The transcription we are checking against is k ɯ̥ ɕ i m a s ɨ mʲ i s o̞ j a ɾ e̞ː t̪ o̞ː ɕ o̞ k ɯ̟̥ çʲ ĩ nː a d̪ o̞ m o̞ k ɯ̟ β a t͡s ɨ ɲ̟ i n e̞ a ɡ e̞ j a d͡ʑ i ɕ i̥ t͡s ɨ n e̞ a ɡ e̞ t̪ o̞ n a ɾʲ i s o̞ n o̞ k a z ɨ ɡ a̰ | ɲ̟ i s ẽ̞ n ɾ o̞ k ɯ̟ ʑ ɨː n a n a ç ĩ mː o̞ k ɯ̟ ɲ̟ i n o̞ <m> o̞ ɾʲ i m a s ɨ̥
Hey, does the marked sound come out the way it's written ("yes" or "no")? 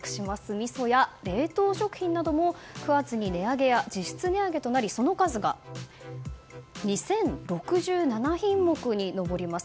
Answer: no